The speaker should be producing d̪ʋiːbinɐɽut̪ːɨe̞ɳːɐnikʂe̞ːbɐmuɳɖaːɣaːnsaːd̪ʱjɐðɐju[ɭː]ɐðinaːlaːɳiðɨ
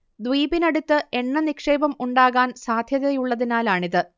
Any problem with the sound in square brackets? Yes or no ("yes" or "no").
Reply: no